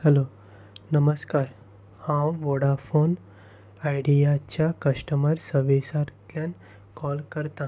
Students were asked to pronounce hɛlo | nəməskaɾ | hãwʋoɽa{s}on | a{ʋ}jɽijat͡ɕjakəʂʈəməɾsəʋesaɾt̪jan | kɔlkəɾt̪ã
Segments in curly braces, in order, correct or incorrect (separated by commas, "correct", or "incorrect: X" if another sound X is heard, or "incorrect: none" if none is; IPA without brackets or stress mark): incorrect: f, incorrect: none